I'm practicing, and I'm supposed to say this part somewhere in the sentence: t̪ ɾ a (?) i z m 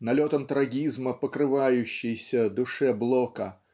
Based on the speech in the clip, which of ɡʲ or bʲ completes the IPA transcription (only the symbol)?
ɡʲ